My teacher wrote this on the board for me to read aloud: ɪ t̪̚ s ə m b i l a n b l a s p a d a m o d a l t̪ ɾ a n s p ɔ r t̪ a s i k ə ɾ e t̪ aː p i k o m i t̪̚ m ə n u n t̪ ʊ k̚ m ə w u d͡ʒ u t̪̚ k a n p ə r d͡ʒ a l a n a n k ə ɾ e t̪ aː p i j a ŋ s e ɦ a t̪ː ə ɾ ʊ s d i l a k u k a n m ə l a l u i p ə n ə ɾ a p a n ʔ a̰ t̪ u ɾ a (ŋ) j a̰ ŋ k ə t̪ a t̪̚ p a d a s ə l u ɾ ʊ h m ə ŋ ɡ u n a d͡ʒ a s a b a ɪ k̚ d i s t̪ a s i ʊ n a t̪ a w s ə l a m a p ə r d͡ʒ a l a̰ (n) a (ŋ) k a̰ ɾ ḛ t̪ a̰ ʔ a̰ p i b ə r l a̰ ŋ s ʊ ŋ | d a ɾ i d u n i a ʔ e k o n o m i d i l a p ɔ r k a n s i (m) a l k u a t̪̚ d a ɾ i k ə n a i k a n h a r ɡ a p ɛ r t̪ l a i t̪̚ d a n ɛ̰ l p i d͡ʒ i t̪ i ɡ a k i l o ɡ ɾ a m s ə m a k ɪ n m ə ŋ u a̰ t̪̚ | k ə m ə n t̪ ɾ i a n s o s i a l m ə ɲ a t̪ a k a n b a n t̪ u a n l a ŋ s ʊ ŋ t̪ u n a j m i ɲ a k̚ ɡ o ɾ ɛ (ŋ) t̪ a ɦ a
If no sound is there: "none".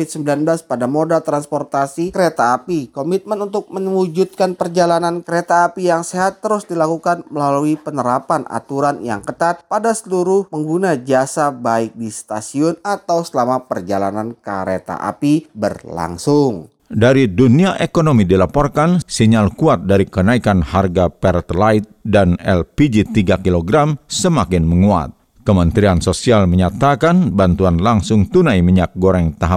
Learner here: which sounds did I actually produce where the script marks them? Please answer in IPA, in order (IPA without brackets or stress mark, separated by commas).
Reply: n, n, n, ɲ, ŋ